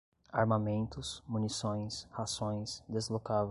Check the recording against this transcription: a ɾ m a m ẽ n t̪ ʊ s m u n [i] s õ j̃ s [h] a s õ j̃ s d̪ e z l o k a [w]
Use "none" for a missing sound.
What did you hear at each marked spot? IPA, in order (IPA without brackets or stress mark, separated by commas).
i, h, v